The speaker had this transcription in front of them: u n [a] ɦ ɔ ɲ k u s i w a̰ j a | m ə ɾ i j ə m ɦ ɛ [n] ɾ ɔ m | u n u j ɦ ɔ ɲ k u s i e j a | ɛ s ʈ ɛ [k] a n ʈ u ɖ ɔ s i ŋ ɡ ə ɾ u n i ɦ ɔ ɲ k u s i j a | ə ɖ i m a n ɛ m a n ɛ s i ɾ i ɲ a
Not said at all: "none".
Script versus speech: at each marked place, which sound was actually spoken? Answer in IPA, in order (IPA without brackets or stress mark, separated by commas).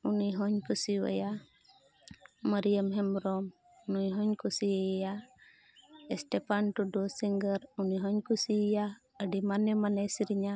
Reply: i, m, p